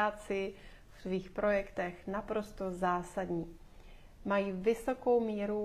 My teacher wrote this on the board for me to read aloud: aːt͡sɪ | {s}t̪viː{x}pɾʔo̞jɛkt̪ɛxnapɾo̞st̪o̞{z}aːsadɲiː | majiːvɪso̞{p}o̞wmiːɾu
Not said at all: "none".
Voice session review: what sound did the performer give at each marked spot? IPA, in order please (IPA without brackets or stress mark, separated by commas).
f, x, z, k